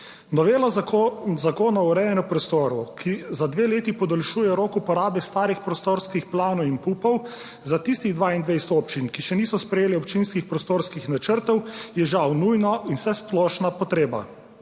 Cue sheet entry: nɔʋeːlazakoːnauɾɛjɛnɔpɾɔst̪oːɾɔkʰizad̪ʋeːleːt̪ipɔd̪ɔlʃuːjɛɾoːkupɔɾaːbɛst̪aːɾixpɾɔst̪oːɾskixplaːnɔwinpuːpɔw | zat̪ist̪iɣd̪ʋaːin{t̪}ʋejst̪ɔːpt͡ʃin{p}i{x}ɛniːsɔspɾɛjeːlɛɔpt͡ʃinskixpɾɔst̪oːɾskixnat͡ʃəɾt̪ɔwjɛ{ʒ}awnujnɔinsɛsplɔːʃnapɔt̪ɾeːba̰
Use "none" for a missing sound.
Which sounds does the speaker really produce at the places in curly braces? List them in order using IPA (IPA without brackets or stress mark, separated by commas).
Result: d̪, k, ʃ, ʒ